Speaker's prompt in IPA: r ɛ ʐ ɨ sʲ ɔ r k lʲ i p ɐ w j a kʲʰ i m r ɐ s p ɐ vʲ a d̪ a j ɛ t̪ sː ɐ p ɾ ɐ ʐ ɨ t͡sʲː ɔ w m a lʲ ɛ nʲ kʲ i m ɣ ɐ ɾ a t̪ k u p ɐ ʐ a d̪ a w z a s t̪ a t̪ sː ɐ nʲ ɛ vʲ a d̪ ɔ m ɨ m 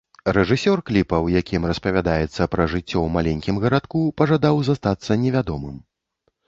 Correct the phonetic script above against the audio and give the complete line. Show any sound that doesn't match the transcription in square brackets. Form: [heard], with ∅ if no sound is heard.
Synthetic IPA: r ɛ ʐ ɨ sʲ ɔ r k lʲ i p ɐ w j a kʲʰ i m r ɐ s p ɐ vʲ a d̪ a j ɛ t̪ sː ɐ p ɾ ɐ ʐ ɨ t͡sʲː ɔ w m a lʲ ɛ nʲ kʲ i m ɣ ɐ ɾ a t̪ k u p ɐ ʐ a d̪ a w z a s t̪ a t̪ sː ɐ nʲ ɛ vʲ a d̪ ɔ m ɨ m

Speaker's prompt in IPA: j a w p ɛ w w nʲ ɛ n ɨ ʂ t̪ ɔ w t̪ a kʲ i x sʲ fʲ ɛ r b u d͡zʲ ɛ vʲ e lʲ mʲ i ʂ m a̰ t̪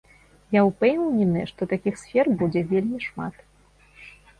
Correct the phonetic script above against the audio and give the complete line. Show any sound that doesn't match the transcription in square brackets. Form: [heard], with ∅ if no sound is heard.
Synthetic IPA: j a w p ɛ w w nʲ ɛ n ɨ ʂ t̪ ɔ [∅] t̪ a kʲ i x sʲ fʲ ɛ r b u d͡zʲ ɛ vʲ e lʲ mʲ i ʂ m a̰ t̪

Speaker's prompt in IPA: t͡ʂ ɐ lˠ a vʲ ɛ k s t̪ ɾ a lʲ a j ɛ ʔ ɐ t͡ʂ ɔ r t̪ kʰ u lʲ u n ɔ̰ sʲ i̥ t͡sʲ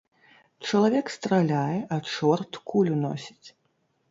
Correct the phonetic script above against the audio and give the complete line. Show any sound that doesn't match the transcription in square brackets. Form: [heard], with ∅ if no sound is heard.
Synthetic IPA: t͡ʂ ɐ lˠ a vʲ ɛ k s t̪ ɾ a lʲ a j ɛ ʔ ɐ t͡ʂ ɔ r t̪ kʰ u lʲ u n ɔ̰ sʲ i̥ t͡sʲ

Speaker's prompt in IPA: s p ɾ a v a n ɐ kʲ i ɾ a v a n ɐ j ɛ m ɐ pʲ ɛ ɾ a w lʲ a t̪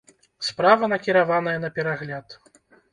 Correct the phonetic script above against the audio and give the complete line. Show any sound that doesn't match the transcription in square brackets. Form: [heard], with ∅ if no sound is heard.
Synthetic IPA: s p ɾ a v [ɐ] n ɐ kʲ i ɾ a v a n ɐ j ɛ [n] ɐ pʲ ɛ ɾ a [ɣ] lʲ a t̪

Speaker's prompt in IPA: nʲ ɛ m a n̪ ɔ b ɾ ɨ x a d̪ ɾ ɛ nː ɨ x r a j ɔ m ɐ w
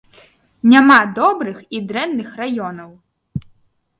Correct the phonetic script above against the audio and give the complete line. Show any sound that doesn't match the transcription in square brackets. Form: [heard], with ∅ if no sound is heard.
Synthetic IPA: nʲ [a] m a [d̪] ɔ b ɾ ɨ x [i] d̪ ɾ ɛ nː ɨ x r a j ɔ [n] ɐ w

